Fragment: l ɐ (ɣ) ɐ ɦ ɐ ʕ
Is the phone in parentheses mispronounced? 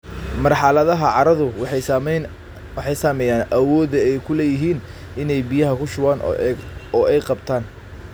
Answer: yes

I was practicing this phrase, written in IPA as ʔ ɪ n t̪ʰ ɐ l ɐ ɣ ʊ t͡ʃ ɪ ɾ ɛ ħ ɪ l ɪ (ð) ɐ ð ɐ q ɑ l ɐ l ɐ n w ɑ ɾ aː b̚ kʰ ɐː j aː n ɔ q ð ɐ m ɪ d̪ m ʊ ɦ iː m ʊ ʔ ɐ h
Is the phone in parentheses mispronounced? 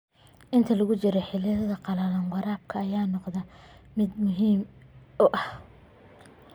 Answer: no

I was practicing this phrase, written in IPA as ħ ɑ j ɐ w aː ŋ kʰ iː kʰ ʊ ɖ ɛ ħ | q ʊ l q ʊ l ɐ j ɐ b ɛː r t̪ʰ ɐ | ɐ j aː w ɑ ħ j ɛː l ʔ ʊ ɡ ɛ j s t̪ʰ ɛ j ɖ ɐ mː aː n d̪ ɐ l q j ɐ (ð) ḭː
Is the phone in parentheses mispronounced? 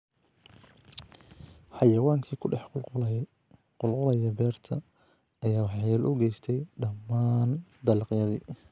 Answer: no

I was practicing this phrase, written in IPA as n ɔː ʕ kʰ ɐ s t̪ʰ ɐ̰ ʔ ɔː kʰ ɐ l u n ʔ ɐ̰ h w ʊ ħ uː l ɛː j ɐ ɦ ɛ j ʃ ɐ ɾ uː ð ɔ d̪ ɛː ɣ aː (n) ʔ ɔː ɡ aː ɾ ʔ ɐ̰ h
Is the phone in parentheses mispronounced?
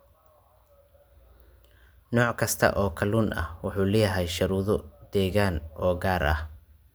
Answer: no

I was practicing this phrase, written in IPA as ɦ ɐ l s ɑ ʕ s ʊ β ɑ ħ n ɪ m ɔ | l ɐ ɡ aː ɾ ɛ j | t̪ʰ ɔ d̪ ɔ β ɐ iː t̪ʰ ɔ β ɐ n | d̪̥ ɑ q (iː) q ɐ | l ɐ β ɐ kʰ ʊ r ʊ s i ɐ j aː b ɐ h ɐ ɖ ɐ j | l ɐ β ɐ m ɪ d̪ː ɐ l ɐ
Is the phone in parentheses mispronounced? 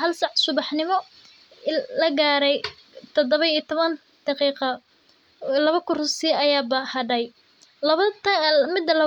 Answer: no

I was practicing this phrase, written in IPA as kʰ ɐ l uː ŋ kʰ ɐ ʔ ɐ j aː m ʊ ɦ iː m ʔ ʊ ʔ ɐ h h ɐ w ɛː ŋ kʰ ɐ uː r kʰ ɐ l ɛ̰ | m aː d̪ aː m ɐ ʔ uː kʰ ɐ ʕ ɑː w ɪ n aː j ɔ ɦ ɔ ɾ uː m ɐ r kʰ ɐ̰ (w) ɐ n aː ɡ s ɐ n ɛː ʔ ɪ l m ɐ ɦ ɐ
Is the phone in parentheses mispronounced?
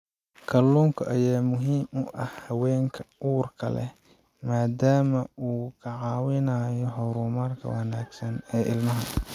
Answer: no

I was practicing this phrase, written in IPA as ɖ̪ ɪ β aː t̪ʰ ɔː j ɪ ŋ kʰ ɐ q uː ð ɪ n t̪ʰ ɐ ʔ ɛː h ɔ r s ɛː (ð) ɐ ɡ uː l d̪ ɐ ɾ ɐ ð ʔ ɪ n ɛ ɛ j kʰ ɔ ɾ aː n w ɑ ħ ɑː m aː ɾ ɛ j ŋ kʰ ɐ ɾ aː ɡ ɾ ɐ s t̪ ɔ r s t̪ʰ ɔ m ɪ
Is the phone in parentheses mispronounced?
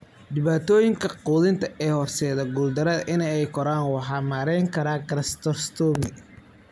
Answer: no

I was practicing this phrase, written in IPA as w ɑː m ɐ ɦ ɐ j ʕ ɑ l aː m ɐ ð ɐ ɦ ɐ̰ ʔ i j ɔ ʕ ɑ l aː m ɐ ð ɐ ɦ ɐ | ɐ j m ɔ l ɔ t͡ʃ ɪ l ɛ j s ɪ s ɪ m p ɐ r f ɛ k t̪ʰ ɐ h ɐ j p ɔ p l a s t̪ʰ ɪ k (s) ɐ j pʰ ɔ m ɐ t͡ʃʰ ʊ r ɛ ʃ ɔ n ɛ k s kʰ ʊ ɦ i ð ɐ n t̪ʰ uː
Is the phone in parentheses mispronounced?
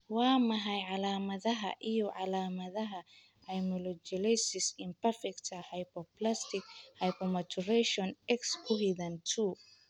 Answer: yes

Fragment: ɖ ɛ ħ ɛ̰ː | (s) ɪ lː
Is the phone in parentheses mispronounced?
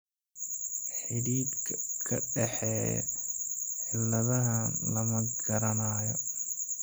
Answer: yes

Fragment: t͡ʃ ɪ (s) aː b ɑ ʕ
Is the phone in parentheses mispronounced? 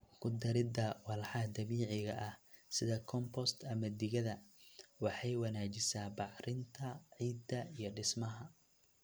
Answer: no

